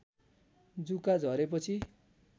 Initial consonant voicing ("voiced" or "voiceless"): voiced